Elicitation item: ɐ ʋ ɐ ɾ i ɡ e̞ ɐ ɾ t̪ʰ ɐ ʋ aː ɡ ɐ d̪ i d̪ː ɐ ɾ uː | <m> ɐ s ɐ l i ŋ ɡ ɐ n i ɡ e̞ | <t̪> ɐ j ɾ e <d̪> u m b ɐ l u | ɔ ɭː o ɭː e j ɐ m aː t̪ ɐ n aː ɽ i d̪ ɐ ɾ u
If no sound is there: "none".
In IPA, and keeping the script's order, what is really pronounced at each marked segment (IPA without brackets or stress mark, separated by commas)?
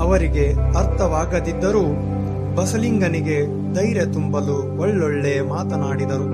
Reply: b, d̪, t̪